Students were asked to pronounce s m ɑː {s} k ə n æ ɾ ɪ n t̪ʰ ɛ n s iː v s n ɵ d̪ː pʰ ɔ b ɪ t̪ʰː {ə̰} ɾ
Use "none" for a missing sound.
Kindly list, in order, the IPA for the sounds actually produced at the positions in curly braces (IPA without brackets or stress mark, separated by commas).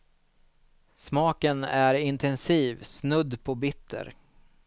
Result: none, ə̰